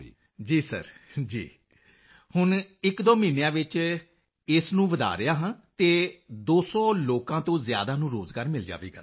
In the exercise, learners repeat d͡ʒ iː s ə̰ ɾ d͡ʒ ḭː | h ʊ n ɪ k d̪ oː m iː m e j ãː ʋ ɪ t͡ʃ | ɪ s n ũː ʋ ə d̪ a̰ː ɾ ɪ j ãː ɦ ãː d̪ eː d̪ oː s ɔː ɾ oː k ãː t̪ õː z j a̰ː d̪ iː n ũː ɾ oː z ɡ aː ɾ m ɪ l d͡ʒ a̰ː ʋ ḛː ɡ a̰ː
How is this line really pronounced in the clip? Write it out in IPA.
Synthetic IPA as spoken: d͡ʒ iː s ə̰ ɾ d͡ʒ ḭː | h ʊ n ɪ k d̪ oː m iː n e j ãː ʋ ɪ t͡ʃ | ɪ s n ũː ʋ ə d̪ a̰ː ɾ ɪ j aː ɦ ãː t̪ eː d̪ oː s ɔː l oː k ãː t̪ õː z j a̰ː d̪ aː n ũː ɾ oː z ɡ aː ɾ m ɪ l d͡ʒ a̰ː ʋ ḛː ɡ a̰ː